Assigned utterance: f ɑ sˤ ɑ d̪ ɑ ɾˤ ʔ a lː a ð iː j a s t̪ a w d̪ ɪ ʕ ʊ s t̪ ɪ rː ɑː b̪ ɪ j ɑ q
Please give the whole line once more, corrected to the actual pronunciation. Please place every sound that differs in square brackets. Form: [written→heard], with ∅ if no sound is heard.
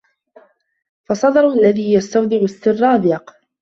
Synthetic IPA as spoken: f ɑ sˤ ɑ d̪ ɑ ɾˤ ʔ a lː a ð iː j a s t̪ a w d̪ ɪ ʕ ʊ s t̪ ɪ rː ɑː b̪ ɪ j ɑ q